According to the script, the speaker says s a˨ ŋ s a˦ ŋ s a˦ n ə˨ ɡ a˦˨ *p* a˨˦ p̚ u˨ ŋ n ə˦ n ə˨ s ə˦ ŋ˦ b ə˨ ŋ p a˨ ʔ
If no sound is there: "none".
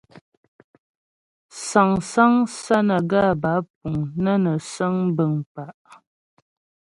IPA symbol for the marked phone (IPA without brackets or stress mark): b